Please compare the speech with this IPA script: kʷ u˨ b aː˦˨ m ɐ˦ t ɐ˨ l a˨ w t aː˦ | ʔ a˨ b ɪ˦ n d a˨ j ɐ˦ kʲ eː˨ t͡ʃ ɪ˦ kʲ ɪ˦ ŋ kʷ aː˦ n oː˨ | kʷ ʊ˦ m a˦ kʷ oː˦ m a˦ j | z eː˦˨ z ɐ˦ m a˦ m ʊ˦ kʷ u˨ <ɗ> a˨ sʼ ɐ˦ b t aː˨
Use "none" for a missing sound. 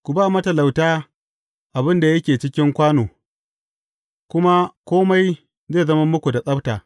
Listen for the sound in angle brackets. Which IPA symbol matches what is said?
d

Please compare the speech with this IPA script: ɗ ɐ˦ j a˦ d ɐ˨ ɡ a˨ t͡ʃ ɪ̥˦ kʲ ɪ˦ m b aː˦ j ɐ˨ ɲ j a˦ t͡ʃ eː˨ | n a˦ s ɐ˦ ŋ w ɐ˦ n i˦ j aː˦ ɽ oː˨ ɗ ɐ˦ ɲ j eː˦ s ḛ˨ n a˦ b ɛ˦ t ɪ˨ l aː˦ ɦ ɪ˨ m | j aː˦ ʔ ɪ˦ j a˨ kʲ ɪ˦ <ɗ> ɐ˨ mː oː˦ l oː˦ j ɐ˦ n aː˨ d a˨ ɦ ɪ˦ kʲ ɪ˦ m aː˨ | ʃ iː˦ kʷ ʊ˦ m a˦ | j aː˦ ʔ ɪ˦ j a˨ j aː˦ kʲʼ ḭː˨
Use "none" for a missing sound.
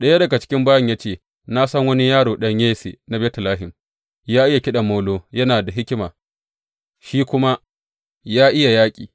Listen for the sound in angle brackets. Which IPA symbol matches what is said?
ɗ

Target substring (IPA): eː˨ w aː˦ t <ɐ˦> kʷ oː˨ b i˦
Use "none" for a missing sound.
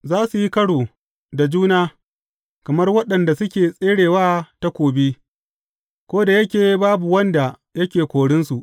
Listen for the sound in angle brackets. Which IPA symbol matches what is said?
a˦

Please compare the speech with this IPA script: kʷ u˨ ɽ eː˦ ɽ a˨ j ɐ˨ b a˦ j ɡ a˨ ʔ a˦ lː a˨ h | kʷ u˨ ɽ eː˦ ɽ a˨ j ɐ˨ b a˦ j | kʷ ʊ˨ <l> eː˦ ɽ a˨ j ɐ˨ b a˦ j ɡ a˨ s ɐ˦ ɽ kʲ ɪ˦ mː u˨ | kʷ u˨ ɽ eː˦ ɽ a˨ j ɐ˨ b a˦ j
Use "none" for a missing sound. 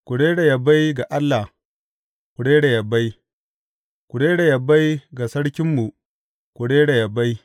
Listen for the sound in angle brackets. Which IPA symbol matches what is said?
ɽ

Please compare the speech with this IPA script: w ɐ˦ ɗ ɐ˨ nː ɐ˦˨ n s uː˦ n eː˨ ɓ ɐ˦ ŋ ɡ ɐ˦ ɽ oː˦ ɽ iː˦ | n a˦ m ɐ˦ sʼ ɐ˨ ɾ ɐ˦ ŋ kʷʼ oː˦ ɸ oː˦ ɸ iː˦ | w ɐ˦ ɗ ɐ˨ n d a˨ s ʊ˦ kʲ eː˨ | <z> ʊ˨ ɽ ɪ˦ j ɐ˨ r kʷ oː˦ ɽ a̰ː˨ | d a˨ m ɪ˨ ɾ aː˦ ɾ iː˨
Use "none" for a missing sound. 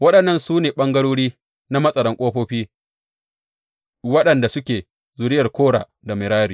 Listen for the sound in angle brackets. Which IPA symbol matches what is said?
z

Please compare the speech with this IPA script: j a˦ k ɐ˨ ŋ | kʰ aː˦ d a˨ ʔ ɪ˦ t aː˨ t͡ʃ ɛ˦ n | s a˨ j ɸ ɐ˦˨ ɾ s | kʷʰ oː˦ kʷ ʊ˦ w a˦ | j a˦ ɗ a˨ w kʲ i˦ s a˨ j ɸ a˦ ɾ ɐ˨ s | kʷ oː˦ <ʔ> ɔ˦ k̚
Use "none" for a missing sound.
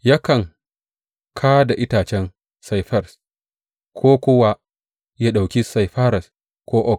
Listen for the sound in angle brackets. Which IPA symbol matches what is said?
ʔ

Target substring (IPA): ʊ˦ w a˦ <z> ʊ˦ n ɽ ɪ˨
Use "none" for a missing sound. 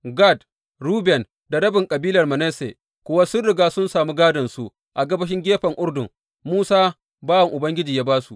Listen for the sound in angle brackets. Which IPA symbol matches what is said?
s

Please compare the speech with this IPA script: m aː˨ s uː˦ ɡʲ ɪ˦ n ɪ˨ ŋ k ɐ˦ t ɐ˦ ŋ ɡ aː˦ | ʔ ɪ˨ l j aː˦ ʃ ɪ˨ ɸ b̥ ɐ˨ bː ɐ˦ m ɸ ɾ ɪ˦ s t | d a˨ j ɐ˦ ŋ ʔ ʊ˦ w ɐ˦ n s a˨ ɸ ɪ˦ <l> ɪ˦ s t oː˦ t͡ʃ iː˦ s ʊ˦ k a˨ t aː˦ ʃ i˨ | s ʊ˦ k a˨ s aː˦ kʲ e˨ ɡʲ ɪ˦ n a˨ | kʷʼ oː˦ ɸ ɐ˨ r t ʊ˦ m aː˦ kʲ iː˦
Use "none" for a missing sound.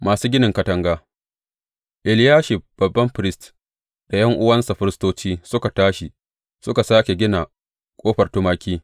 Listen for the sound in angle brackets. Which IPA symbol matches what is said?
ɾ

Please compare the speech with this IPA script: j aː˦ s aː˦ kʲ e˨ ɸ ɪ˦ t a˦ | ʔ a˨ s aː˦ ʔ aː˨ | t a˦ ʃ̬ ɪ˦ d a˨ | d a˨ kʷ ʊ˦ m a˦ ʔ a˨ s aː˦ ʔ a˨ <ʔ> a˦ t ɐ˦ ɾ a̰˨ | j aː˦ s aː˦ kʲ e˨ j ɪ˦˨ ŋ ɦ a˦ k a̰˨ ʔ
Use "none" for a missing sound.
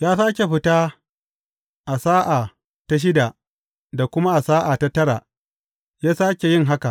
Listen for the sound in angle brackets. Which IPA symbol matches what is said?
t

